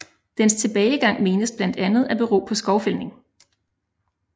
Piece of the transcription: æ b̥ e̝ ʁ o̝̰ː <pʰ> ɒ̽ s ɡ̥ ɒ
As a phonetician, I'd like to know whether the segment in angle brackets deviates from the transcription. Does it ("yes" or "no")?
no